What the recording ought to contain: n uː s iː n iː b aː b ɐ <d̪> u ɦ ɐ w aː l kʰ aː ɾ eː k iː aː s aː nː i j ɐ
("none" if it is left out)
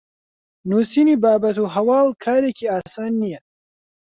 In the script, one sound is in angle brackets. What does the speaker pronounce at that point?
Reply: t̪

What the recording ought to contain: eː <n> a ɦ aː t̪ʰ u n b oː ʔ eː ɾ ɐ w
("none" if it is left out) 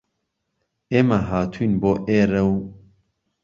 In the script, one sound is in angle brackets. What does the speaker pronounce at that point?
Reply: m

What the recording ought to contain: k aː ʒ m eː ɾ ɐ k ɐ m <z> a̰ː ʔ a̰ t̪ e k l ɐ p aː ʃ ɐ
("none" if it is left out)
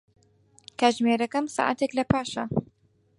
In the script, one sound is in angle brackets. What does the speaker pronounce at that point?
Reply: s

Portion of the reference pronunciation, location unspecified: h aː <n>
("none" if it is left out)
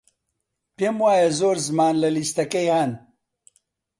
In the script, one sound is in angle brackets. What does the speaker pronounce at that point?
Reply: n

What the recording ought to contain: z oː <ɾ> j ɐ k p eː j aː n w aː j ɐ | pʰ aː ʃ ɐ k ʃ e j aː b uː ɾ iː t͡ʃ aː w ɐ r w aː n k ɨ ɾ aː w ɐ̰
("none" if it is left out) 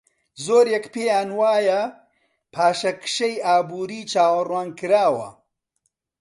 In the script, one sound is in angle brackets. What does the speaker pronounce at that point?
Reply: ɾ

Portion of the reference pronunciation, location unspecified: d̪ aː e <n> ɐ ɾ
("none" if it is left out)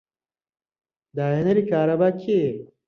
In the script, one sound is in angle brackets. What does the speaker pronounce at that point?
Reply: n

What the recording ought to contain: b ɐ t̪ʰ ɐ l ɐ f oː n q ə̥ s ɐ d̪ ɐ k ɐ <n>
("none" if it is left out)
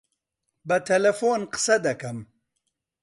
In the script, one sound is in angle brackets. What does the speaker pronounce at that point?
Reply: m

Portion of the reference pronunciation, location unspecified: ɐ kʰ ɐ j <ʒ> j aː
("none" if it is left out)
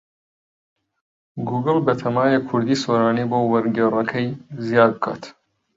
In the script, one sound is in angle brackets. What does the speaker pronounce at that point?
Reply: z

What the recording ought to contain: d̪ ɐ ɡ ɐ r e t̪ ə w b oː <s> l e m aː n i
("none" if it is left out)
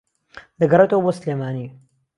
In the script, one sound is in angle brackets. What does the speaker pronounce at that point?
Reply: s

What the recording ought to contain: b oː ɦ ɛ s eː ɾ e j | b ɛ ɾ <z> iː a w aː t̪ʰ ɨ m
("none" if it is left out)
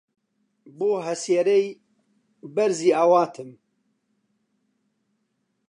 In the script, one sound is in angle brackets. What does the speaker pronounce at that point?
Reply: z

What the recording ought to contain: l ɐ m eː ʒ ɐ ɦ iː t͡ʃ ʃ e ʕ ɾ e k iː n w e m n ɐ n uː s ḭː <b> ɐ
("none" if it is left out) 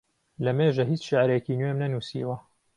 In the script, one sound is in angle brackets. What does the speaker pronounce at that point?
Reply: w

